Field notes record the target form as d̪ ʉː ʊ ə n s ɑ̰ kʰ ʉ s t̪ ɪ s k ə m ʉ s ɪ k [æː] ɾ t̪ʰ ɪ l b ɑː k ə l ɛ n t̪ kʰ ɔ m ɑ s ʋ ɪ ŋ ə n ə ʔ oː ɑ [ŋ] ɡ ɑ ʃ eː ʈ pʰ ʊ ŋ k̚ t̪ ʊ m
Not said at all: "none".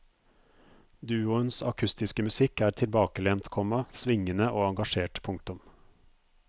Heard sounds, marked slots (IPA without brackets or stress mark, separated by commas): æː, ŋ